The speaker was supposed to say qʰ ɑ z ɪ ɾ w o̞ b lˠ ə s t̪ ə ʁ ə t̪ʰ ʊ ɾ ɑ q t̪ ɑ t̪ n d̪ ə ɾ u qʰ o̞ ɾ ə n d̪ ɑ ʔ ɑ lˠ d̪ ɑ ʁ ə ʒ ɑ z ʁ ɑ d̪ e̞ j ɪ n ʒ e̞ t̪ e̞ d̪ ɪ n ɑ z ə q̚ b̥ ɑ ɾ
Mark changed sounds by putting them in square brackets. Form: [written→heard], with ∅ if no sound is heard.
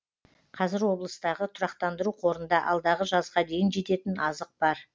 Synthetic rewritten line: qʰ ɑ z ɪ ɾ w o̞ b lˠ ə s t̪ [ə→ɑ] ʁ ə t̪ʰ ʊ ɾ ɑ q t̪ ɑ [t̪→∅] n d̪ ə ɾ u qʰ o̞ ɾ ə n d̪ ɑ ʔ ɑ lˠ d̪ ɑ ʁ ə ʒ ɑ z ʁ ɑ d̪ e̞ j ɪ n ʒ e̞ t̪ e̞ [d̪→t̪] ɪ n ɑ z ə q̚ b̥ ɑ ɾ